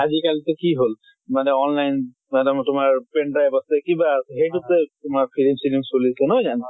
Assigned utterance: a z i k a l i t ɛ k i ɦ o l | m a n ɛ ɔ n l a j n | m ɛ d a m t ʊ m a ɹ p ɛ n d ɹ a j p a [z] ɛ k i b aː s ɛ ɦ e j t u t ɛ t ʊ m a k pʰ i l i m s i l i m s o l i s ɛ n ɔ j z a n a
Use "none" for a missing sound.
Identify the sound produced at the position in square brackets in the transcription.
s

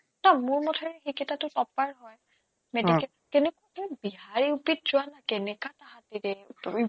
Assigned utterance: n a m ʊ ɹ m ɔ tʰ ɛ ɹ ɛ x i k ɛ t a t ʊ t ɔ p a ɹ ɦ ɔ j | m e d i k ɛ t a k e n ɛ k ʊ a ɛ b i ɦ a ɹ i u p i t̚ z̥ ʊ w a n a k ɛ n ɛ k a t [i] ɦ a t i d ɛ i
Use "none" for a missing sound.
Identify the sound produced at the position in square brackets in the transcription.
a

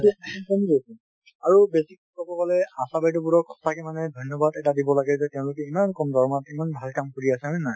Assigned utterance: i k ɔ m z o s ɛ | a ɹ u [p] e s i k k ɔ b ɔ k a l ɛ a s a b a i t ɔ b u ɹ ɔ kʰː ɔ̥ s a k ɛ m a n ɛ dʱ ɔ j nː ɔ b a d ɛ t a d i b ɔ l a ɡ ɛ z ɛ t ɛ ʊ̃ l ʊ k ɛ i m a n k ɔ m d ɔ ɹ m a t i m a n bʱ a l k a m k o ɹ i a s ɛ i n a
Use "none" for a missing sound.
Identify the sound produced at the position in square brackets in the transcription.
b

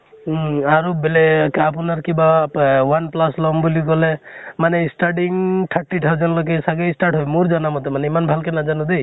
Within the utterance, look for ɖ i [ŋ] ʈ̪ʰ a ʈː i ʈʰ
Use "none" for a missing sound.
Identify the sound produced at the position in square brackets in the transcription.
ŋ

